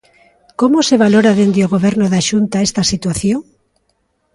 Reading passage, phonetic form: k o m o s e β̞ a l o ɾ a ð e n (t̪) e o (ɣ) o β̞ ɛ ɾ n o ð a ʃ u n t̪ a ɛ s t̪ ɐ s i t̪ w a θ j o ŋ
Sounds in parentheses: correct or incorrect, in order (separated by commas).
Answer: incorrect, correct